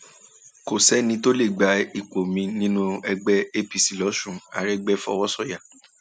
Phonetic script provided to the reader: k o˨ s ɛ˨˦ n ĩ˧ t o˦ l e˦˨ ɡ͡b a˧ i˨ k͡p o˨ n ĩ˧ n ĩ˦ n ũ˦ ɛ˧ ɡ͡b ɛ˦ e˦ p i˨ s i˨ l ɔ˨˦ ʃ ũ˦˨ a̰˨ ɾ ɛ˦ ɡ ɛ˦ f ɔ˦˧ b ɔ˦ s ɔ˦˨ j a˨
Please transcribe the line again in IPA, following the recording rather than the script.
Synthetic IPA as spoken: k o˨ s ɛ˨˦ n ĩ˧ t o˦ l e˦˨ ɡ͡b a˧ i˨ k͡p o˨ m ĩ˧ n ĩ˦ n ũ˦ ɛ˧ ɡ͡b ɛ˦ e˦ p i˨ s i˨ l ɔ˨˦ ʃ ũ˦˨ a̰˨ ɾ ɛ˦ ɡ͡b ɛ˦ f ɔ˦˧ w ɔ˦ s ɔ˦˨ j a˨